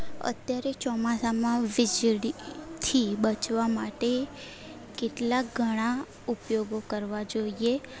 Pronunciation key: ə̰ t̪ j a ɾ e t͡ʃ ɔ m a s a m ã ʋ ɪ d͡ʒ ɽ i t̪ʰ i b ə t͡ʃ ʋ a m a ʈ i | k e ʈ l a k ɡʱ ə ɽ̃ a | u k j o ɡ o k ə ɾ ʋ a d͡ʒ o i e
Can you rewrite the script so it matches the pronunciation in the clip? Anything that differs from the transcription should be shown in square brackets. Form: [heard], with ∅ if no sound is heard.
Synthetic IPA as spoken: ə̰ t̪ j a ɾ e t͡ʃ ɔ m a s a m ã ʋ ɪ d͡ʒ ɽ i t̪ʰ i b ə t͡ʃ ʋ a m a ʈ [e] | k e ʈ l a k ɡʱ ə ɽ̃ a | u [p] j o ɡ o k ə ɾ ʋ a d͡ʒ o i e